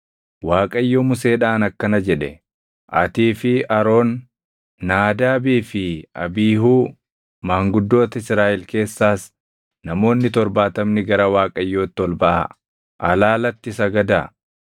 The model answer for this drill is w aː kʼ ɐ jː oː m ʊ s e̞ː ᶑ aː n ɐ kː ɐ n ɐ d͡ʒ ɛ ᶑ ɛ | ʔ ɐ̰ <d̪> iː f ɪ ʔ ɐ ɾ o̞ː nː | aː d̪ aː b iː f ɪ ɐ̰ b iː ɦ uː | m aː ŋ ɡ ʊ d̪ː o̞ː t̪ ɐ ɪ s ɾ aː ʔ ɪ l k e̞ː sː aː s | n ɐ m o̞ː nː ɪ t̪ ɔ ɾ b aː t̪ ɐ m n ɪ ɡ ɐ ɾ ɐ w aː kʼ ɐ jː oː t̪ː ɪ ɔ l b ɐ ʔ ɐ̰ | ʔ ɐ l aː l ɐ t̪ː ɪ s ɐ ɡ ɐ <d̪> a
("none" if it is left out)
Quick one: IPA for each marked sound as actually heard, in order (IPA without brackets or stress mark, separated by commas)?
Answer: t̪, d̪